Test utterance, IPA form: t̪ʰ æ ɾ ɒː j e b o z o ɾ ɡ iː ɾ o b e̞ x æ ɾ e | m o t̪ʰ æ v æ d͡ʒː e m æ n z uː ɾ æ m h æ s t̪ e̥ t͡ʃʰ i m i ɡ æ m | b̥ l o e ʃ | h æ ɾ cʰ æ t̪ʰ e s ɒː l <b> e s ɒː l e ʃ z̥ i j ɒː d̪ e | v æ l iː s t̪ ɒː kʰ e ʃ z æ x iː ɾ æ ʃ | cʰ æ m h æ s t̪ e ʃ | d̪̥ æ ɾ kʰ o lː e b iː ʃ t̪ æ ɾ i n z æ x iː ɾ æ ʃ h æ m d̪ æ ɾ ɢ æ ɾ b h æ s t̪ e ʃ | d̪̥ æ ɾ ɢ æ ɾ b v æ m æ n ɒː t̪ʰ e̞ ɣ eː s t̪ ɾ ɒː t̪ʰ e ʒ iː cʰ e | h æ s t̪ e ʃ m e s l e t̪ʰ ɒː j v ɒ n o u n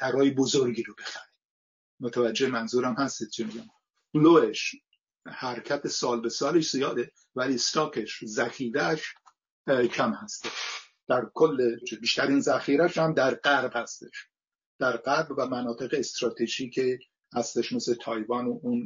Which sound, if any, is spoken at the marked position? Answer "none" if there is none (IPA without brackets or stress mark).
b